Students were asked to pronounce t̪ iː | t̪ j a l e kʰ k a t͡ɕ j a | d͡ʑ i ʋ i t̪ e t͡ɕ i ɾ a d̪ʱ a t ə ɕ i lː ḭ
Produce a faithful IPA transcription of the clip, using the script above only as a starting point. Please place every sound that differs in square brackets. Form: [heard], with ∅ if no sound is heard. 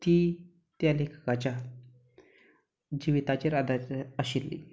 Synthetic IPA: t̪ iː | t̪ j a l e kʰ k a t͡ɕ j a | d͡ʑ i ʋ i t̪ [a] t͡ɕ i ɾ a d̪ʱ a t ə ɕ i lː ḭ